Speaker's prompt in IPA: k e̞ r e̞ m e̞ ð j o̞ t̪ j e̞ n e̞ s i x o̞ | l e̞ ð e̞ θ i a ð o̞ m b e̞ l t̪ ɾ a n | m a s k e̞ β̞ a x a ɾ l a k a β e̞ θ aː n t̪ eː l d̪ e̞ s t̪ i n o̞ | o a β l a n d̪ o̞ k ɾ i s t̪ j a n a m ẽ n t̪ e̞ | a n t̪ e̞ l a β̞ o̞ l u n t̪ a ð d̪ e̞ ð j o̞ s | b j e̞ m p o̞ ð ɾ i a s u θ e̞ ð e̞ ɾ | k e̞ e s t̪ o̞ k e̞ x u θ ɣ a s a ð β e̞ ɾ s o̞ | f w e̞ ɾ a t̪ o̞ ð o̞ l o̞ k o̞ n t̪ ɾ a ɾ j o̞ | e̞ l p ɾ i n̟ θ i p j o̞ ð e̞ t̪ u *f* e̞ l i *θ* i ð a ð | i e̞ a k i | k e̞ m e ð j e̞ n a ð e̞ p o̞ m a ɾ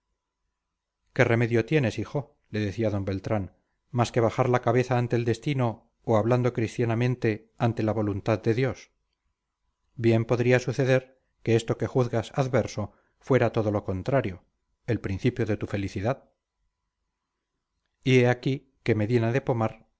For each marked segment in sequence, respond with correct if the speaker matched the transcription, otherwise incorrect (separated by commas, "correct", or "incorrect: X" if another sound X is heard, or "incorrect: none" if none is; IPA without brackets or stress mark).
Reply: correct, correct